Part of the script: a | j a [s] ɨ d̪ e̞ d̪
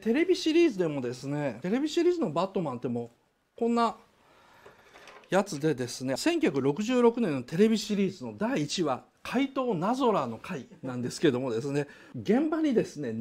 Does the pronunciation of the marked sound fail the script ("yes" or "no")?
yes